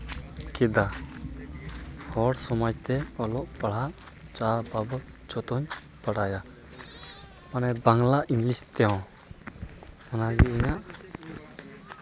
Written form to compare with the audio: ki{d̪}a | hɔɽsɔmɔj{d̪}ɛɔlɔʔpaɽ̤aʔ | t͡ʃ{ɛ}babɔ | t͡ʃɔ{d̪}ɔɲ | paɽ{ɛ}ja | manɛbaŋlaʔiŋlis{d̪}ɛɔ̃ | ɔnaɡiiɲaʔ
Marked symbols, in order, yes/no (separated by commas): yes, no, no, no, no, no